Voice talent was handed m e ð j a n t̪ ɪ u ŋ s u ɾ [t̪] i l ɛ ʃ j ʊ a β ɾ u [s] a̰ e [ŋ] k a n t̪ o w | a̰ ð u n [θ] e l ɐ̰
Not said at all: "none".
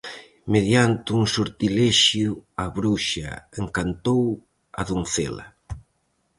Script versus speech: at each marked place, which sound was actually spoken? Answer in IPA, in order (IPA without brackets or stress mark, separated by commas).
t̪, ʃ, ŋ, θ